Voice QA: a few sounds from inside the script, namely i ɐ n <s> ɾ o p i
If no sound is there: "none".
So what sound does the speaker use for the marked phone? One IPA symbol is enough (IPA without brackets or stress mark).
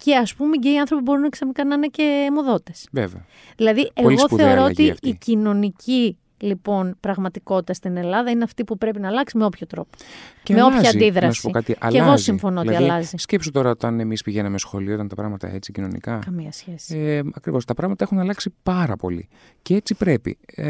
θ